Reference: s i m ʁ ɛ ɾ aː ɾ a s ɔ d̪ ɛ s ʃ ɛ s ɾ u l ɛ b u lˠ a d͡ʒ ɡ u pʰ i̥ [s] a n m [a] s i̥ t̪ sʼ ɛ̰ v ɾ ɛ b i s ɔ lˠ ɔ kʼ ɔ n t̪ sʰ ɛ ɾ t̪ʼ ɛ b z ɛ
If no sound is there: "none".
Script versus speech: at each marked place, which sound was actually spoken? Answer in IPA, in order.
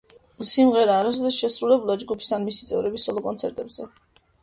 s, i

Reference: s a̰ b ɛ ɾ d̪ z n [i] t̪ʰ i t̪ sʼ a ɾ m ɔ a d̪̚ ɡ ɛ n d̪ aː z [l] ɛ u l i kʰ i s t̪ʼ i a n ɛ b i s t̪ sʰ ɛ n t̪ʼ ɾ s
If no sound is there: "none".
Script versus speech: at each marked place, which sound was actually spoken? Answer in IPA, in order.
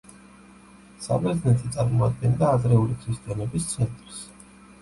ɛ, ɾ

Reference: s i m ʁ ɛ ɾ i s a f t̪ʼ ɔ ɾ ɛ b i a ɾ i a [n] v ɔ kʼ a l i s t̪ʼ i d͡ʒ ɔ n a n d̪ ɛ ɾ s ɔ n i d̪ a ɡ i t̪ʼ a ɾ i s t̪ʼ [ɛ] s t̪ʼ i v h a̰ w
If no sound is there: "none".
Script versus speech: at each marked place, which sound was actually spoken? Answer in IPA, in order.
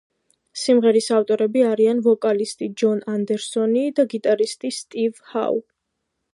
n, i

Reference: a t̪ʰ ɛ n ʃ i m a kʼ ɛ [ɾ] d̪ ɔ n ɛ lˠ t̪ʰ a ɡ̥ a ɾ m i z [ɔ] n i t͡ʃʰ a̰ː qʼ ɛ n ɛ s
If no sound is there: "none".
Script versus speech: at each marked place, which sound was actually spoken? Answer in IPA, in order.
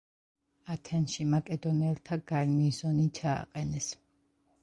none, ɔ

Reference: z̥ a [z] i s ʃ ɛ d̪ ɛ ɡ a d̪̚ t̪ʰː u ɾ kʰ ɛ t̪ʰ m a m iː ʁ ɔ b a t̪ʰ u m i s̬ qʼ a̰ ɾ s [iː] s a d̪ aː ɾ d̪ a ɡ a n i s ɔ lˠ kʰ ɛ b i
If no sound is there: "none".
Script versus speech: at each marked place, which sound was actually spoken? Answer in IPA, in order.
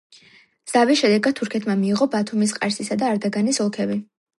v, i

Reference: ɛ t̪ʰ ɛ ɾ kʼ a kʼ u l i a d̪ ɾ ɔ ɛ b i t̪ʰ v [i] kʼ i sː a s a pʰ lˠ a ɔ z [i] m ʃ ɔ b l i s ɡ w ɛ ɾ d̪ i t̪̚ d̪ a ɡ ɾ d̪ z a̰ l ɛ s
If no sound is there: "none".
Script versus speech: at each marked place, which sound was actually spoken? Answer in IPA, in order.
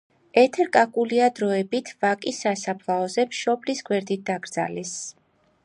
a, ɛ

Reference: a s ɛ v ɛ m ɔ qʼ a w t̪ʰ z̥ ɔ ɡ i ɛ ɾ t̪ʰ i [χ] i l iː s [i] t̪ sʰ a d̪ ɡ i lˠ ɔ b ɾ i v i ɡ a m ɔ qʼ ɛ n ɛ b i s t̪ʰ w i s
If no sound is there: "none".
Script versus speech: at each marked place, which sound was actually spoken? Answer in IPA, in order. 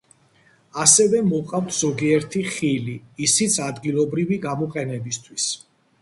χ, i

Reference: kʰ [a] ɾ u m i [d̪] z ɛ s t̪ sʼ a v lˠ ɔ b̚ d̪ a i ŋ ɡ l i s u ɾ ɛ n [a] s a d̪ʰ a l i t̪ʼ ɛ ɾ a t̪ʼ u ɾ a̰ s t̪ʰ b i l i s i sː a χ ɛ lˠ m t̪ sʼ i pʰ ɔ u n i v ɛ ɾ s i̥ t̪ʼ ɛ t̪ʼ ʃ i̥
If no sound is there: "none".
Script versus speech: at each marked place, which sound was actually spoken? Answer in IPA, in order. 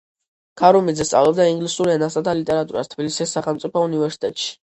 a, d̪, a

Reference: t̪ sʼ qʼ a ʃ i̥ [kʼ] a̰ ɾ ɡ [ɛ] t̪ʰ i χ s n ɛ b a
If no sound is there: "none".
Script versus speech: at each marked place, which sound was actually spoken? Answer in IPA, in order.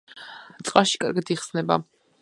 kʼ, a

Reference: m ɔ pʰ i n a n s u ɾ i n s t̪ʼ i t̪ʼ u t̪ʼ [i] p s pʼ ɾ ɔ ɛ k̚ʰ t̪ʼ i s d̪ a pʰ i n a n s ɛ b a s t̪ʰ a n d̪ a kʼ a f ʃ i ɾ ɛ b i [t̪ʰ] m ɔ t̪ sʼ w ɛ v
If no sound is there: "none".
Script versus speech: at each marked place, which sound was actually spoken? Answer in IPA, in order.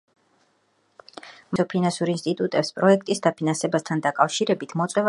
ɛ, t̪ʰ

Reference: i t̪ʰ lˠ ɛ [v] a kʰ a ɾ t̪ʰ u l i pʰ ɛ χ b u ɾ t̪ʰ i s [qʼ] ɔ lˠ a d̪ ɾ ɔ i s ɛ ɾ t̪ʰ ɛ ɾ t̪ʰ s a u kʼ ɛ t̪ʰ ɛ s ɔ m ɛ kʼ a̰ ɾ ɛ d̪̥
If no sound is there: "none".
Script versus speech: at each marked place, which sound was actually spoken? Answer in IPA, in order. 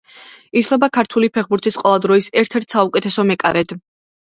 b, qʼ

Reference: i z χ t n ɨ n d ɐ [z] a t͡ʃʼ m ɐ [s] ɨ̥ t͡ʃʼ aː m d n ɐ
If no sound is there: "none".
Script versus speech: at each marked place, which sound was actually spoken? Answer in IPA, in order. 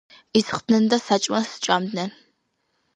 s, s

